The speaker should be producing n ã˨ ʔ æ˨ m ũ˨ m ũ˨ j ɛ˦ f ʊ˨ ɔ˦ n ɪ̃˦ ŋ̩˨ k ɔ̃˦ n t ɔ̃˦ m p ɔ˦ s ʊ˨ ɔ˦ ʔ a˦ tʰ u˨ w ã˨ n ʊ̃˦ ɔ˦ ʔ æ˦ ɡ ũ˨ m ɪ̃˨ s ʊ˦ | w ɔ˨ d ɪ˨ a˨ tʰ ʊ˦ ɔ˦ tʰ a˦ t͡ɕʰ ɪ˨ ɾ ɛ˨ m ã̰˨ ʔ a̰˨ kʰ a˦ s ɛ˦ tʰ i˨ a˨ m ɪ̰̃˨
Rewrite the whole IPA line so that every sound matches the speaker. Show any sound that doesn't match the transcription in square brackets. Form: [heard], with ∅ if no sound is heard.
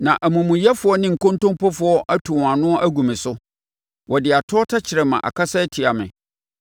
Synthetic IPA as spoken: n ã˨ ʔ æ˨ m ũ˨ m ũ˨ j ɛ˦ f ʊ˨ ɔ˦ n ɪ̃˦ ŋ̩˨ k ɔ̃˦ n t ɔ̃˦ m p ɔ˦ [f] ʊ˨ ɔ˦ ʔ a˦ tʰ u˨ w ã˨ n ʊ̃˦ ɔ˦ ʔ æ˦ ɡ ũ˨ m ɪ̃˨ s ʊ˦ | w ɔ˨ d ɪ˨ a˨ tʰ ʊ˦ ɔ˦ tʰ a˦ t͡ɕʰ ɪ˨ ɾ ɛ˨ m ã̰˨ ʔ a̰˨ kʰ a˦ s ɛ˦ tʰ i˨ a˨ m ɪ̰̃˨

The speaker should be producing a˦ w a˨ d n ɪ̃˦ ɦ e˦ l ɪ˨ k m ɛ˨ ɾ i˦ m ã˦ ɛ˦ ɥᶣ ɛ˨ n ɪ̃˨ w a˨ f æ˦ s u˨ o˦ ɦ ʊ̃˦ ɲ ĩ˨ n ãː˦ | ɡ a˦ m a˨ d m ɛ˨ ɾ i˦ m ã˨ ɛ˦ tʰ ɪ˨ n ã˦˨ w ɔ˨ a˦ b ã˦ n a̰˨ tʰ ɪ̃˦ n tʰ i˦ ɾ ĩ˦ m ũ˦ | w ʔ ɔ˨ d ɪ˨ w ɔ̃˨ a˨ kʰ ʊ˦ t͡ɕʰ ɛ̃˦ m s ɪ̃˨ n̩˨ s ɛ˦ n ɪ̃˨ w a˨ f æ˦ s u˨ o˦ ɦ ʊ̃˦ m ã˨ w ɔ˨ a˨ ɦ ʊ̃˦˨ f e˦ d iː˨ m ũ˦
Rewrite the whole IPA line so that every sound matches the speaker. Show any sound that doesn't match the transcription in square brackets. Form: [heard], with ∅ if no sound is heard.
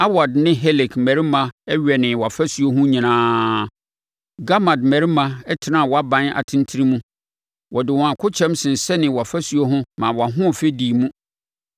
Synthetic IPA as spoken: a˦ w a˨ d n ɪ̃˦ ɦ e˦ l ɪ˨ k m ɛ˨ ɾ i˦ m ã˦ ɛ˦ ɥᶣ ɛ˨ n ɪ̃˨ w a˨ f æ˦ s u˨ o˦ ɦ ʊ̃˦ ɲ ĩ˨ n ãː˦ | ɡ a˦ m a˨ d m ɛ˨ ɾ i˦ m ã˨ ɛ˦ tʰ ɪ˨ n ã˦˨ w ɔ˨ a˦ b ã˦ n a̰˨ tʰ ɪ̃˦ n tʰ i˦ ɾ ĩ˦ m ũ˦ | w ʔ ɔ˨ d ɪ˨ w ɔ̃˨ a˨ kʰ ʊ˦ t͡ɕʰ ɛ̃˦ m s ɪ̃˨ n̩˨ s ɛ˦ n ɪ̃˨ w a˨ f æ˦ s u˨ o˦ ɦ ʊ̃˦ m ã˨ w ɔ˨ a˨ ɦ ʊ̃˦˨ f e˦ d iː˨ m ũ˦

